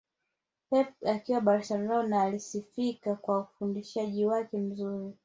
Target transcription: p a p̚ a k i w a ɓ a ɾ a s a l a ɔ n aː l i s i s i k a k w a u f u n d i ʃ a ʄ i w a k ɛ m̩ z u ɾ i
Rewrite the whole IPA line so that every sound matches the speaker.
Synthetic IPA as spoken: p ɛ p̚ a k i w a ɓ a ɾ a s a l a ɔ n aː l i s i f i k a k w a u f u n d i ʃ a ʄ i w a k ɛ m̩ z u ɾ i

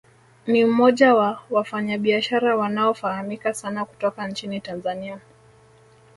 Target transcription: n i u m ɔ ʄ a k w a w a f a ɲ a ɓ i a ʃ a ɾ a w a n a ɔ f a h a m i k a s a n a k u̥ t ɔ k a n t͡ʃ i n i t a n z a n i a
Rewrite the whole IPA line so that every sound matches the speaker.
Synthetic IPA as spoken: n i u m ɔ ʄ a w a w a f a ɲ a ɓ i a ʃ a ɾ a w a n a ɔ f a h a m i k a s a n a k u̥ t ɔ k a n t͡ʃ i n i t a n z a n i a

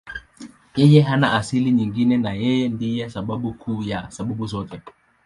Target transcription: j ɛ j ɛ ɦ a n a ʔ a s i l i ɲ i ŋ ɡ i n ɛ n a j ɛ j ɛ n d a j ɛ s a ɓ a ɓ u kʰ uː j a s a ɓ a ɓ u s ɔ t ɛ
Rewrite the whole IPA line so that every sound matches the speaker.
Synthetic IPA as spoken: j ɛ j ɛ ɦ a n a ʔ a s i l i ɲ i ŋ ɡ i n ɛ n a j ɛ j ɛ n d i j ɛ s a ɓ a ɓ u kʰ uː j a s a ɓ a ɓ u z ɔ t ɛ

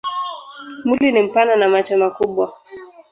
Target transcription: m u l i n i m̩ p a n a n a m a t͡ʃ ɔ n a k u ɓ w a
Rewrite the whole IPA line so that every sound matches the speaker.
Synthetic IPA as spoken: m u l i n i m̩ p a n a n a m a t͡ʃ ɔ m a k u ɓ w a

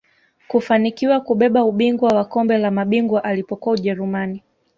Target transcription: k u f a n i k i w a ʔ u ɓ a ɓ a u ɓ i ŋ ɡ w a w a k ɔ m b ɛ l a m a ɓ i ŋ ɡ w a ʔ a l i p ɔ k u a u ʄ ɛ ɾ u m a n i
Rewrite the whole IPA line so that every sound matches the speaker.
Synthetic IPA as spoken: k u f a n i k i w a k u ɓ ɛ ɓ a u ɓ i ŋ ɡ w a w a k ɔ m b ɛ l a m a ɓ i ŋ ɡ w a ʔ a l i p ɔ k u a u ʄ ɛ ɾ u m a n i

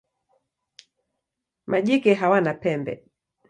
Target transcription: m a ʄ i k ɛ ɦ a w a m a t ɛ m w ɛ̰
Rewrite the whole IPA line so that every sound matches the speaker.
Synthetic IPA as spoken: m a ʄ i k ɛ ɦ a w a n a p ɛ m b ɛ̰

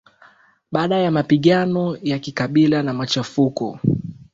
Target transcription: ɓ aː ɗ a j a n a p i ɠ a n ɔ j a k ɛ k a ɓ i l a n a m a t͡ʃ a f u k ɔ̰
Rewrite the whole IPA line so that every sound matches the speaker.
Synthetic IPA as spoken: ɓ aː ɗ a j a m a p i ɠ a n ɔ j a k i k a ɓ i l a n a m a t͡ʃ a f u k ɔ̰

